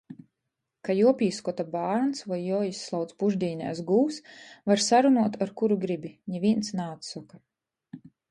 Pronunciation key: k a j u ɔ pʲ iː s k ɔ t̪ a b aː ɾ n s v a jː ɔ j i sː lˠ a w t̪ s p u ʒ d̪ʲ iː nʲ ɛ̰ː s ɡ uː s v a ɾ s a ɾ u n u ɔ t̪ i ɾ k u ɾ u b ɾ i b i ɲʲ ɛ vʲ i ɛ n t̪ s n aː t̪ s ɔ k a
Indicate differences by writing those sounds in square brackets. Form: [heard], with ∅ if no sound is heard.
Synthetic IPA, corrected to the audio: k a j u ɔ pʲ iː s k ɔ t̪ a b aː ɾ n s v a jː ɔ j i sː lˠ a w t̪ s p u ʒ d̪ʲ iː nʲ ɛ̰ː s ɡ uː s v a ɾ s a ɾ u n u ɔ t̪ [a] ɾ k u ɾ u [ɡ] ɾ i b i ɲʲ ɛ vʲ i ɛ n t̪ s n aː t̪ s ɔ k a